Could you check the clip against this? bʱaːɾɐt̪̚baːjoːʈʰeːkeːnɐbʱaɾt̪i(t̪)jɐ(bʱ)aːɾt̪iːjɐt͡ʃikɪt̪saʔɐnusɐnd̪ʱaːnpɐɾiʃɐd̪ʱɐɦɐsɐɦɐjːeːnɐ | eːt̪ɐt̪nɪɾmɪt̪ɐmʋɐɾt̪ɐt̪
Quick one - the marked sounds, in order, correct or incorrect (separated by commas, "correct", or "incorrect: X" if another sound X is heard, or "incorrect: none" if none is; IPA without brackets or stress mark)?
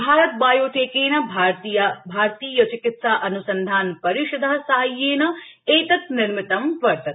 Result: incorrect: none, correct